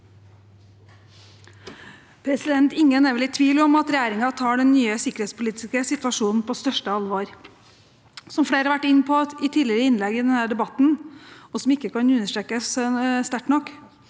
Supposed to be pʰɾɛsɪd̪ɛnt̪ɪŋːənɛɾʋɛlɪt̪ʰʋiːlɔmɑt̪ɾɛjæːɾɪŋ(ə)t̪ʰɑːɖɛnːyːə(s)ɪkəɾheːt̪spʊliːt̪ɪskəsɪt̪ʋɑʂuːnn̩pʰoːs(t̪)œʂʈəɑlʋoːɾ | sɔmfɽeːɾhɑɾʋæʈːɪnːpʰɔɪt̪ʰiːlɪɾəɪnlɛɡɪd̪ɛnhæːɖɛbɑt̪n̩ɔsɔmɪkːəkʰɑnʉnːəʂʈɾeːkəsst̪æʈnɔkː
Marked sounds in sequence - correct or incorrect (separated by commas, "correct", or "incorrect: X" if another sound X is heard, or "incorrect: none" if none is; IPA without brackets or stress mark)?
incorrect: ɑ, correct, correct